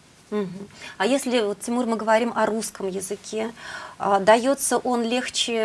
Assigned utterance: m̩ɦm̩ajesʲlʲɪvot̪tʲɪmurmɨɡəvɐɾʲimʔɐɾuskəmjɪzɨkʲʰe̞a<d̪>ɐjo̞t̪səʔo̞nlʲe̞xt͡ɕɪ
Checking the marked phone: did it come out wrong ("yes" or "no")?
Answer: no